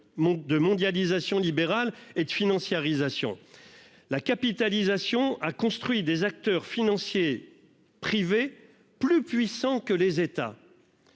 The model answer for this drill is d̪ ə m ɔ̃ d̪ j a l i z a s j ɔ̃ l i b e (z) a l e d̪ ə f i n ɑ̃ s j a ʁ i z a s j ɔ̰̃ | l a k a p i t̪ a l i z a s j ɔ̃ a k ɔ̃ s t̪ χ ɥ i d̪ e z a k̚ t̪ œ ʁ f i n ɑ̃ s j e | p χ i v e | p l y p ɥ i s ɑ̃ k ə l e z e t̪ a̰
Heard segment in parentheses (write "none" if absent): ʁ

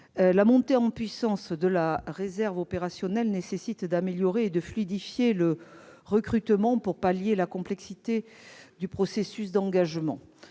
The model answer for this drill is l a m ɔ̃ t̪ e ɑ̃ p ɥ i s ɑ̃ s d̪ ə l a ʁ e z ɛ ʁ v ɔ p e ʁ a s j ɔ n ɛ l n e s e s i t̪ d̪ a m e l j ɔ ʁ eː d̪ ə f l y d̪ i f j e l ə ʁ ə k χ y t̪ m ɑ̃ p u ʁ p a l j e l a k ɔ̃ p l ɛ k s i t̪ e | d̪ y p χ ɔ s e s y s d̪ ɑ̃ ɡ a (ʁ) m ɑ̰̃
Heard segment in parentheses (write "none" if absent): ʒ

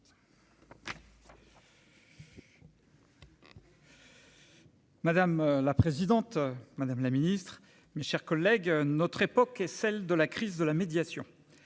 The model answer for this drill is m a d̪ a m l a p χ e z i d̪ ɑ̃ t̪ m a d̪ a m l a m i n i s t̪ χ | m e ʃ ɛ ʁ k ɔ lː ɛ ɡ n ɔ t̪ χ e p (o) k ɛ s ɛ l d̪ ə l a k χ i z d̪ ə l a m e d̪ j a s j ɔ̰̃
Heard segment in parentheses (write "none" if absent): ɔ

